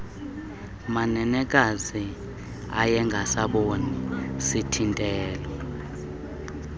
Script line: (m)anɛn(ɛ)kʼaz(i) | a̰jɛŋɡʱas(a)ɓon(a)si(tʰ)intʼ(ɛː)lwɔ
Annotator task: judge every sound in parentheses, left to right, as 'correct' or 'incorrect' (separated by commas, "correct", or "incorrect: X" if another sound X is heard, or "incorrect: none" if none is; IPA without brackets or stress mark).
correct, correct, correct, correct, incorrect: i, correct, correct